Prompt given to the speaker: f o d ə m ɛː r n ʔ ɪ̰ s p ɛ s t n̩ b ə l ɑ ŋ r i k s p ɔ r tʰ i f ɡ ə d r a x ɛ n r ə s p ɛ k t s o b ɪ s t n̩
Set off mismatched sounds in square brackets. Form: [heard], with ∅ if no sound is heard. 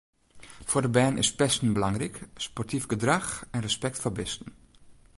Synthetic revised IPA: f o d ə [b] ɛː [∅] n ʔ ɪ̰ s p ɛ s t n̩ b ə l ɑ ŋ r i k s p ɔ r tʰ i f ɡ ə d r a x ɛ n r ə s p ɛ k t [f] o b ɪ s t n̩